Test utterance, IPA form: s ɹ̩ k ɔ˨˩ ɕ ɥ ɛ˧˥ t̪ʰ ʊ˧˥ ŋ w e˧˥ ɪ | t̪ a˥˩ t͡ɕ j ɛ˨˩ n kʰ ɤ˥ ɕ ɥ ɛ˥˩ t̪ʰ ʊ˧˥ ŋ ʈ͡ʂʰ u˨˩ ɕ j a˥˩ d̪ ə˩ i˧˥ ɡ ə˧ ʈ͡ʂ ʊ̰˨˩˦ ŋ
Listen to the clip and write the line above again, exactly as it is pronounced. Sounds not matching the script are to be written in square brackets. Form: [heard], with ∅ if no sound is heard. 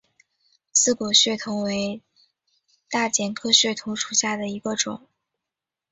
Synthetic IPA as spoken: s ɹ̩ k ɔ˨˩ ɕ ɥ [ɛ˥˩] t̪ʰ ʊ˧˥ ŋ w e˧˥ ɪ | t̪ a˥˩ t͡ɕ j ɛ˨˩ n kʰ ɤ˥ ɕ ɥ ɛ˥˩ t̪ʰ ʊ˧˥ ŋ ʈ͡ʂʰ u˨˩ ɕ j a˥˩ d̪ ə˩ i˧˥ ɡ ə˧ ʈ͡ʂ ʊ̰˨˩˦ ŋ